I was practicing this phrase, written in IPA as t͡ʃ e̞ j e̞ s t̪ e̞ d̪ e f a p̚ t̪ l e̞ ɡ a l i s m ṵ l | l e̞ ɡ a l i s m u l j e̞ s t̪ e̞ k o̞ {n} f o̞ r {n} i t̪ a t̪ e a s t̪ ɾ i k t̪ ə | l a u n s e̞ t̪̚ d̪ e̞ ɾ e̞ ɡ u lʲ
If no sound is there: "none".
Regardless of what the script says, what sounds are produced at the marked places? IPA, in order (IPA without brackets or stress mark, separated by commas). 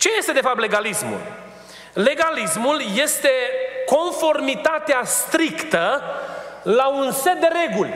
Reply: n, m